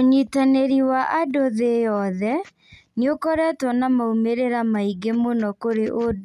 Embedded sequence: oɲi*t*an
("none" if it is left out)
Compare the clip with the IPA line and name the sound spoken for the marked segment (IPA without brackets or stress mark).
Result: t